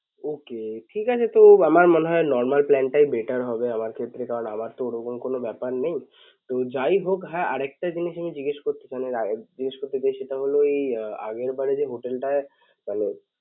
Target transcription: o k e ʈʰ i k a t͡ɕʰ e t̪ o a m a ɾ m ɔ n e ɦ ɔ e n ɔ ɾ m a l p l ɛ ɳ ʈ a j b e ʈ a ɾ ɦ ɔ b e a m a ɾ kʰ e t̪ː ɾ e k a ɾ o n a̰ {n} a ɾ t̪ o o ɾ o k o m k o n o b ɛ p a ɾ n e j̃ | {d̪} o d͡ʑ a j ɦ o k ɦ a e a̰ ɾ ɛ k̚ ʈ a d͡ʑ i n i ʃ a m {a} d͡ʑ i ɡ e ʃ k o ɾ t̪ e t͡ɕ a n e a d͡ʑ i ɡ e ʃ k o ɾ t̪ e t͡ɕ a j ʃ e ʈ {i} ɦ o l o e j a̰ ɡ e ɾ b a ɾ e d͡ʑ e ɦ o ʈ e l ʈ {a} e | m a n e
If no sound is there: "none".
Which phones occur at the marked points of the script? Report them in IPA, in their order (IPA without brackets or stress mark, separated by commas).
m, t̪, i, a, a